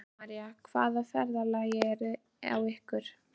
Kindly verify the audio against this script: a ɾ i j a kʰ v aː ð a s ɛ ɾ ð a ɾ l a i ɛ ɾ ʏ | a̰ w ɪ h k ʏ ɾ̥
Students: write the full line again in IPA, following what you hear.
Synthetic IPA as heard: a ɾ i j a kʰ v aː ð a f ɛ ɾ ð a l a j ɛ ɾ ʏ | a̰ w ɪ h k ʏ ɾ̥

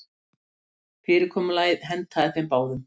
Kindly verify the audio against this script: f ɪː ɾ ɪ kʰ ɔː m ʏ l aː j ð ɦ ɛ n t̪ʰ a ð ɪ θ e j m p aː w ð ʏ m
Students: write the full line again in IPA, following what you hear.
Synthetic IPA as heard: f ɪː ɾ ɪ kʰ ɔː m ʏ l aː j ð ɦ ɛ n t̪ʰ a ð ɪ θ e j m p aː w ð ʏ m

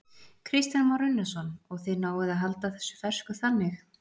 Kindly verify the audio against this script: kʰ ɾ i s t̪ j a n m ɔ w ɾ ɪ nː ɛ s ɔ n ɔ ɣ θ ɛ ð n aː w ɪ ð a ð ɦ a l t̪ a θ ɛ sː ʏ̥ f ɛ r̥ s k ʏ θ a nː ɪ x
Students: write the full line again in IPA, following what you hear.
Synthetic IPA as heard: kʰ ɾ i s t̪ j a n m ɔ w ɾ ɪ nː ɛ s ɔ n ɔ ɣ θ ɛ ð n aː w ɪ ð a ð ɦ a l t̪ a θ ɛ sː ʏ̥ f ɛ r̥ s k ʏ θ a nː ɪ x

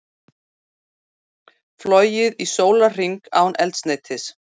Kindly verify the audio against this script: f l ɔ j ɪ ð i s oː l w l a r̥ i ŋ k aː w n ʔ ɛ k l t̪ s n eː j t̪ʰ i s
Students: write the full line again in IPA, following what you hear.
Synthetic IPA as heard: f l ɔ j ɪ ð i s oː w l a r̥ i ŋ k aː w n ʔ ɛ l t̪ s n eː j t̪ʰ ɪ s

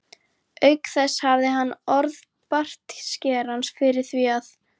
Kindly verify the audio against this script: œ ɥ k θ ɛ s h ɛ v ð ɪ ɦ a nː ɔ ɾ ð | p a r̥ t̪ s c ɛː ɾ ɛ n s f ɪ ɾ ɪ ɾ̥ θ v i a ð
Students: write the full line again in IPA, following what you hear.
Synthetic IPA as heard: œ ɥ k θ ɛ s h a v ð ɪ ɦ a nː ɔ ɾ ð | p a r̥ t̪ s c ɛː ɾ a n s f ɪ ɾ ɪ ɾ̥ θ v i a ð

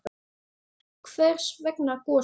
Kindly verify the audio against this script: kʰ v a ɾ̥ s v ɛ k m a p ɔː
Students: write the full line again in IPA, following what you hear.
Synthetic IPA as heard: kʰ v ɛ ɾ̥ s v ɛ k n a k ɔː

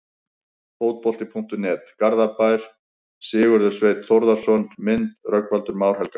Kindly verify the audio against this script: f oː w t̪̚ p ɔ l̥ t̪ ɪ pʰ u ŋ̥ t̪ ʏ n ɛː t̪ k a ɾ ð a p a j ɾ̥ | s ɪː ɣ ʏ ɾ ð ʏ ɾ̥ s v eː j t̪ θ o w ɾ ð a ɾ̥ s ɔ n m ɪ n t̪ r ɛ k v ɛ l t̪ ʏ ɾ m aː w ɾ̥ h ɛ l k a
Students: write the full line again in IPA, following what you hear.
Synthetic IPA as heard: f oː w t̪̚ p ɔ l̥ t̪ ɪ pʰ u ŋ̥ t̪ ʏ n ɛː t̪ k a ɾ ð a p a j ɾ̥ | s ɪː ɣ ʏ ɾ ð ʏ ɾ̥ s v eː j t̪ θ o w ɾ ð a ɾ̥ s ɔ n m ɪ n t̪ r œ k v a l t̪ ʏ ɾ m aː w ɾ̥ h ɛ l k a

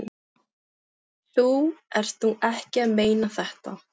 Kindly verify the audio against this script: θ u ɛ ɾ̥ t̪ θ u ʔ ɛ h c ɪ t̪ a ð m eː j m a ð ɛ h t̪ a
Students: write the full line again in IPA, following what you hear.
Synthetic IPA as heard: θ u ɛ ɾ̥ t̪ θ u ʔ ɛ h c ɪ a ð m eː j n a θ ɛ h t̪ a

